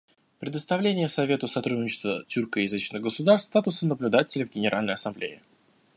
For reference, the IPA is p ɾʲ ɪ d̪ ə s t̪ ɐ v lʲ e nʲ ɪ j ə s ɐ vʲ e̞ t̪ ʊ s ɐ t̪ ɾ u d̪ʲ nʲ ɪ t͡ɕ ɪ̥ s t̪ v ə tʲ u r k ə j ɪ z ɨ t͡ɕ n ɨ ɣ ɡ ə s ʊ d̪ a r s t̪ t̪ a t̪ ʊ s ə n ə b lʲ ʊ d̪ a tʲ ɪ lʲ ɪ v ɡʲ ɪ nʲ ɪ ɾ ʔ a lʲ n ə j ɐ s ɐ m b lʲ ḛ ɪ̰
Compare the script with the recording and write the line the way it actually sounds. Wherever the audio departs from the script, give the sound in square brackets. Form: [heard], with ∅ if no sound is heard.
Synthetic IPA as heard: p ɾʲ ɪ d̪ ə s t̪ ɐ v lʲ e nʲ ɪ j ə s ɐ vʲ e̞ t̪ ʊ s ɐ t̪ ɾ u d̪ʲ nʲ ɪ t͡ɕ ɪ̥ s t̪ v ə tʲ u r k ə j ɪ z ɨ t͡ɕ n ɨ ɣ ɡ ə s ʊ d̪ a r s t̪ t̪ a t̪ ʊ s ə n ə b lʲ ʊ d̪ a tʲ ɪ lʲ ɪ v ɡʲ ɪ nʲ ɪ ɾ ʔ a lʲ n ə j ɐ s ɐ m b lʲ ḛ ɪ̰